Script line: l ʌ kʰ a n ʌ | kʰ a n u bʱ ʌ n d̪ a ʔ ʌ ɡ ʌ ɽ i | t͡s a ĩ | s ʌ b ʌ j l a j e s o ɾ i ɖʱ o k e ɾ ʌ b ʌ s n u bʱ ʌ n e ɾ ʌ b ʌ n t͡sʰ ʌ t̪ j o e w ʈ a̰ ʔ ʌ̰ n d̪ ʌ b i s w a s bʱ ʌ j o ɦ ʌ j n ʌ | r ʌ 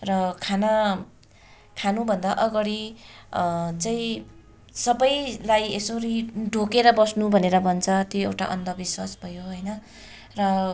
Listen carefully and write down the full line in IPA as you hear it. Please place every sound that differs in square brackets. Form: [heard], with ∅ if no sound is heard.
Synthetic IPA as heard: [r] ʌ kʰ a n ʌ | kʰ a n u bʱ ʌ n d̪ a ʔ ʌ ɡ ʌ ɽ i | t͡s a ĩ | s ʌ b ʌ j l a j e s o ɾ i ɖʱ o k e ɾ ʌ b ʌ s n u bʱ ʌ n e ɾ ʌ b ʌ n t͡sʰ ʌ t̪ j o e w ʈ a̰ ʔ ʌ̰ n d̪ ʌ b i s w a s bʱ ʌ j o ɦ ʌ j n ʌ | r ʌ